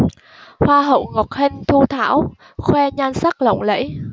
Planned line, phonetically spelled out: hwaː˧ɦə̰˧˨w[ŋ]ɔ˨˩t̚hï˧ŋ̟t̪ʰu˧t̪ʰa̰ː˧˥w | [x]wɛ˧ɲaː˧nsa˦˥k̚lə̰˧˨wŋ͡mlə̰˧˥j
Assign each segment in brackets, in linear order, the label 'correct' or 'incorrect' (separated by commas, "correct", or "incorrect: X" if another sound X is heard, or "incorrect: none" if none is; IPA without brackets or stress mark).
correct, correct